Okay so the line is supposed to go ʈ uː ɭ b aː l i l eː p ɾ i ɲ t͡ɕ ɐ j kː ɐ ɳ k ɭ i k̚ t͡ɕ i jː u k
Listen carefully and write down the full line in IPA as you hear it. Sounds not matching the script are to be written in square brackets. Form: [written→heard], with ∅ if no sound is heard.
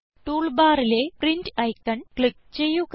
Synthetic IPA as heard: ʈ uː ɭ b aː [l→ɾ] i l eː p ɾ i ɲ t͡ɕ ɐ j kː ɐ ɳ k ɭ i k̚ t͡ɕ [i→e] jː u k